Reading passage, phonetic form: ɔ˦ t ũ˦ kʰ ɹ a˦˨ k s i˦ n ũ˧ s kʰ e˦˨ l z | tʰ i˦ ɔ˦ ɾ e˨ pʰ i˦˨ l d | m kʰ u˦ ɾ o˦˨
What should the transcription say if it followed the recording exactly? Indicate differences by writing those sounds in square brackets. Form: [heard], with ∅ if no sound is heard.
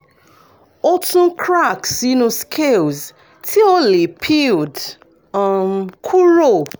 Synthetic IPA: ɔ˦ t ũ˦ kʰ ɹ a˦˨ k s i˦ n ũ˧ s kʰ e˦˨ l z | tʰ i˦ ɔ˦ [l] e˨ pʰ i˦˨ l d | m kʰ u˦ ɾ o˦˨